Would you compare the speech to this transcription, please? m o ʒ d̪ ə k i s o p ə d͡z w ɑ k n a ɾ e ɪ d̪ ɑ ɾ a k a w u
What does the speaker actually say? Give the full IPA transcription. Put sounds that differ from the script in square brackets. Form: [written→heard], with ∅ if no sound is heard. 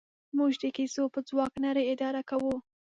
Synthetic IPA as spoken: m [o→u] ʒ d̪ ə k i s o p ə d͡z w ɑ k n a ɾ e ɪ d̪ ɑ ɾ a k a w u